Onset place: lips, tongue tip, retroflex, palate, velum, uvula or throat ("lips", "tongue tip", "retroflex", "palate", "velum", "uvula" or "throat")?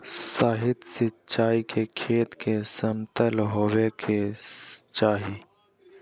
tongue tip